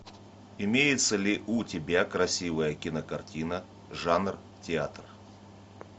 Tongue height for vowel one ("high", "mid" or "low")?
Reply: high